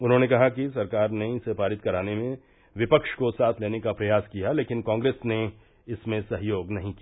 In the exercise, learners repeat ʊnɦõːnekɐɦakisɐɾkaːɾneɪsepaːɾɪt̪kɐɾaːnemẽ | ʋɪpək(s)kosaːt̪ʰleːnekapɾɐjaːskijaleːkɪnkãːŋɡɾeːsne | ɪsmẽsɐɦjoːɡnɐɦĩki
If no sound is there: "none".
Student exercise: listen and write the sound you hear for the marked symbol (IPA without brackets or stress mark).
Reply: ʃ